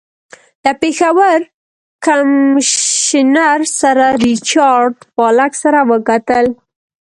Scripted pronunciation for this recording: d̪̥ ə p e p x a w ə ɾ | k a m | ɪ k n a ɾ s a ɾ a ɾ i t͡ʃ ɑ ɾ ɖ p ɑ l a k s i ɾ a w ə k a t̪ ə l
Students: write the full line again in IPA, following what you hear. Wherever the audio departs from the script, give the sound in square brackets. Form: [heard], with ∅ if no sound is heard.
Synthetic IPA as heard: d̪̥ ə p e [∅] x a w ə ɾ | k a m | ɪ [∅] n a ɾ s a ɾ a ɾ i t͡ʃ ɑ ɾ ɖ p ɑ l a k s [a] ɾ a w ə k a t̪ ə l